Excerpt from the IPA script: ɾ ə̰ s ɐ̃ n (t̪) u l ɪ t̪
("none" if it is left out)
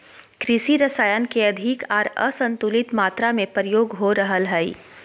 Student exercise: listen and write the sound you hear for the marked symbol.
t̪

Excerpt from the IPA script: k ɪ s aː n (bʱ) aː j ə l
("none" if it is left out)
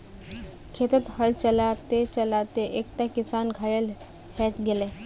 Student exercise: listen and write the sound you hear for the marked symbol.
ɡʱ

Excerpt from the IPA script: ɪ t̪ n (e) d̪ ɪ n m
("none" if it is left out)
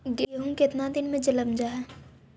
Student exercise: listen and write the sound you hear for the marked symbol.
a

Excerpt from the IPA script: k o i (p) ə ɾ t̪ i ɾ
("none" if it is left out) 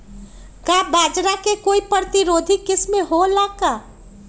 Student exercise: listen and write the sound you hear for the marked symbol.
p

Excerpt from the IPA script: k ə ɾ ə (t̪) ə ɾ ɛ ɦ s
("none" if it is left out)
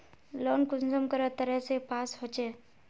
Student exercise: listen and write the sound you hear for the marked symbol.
t̪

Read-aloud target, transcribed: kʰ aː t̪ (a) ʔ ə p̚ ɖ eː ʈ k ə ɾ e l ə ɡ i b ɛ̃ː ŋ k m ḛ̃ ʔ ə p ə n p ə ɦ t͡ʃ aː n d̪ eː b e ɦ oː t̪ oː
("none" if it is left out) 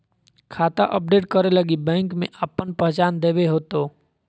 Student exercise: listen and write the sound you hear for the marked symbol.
a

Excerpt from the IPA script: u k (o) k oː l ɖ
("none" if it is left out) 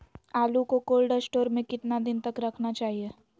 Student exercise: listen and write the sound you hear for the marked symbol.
o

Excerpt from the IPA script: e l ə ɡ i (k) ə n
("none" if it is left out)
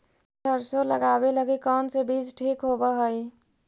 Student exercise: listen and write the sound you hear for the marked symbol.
k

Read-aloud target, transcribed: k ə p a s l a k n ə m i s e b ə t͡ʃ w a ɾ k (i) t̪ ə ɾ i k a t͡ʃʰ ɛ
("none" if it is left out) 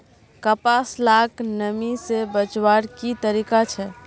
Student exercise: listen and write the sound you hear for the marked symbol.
i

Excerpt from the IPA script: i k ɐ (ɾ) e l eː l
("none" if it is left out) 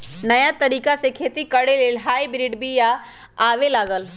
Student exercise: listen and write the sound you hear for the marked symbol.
ɽ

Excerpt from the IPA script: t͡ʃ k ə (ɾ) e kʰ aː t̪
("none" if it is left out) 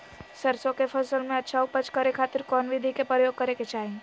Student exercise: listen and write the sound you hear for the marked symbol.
ɾ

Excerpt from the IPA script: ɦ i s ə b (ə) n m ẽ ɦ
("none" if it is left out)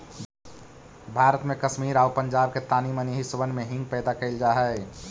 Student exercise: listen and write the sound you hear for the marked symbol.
ə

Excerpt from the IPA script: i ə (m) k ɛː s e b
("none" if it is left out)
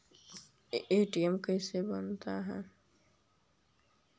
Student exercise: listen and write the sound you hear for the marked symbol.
m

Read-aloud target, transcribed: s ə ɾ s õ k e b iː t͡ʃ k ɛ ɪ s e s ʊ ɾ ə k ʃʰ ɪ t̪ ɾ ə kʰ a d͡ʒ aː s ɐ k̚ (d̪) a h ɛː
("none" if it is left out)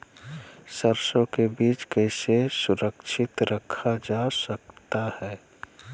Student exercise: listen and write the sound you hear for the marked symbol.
t̪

